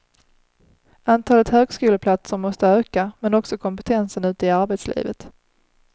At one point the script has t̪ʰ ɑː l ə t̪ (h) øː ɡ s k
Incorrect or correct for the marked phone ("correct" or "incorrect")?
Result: correct